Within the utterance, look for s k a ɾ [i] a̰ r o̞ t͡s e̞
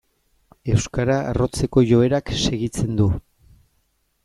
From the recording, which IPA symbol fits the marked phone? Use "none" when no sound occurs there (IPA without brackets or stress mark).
a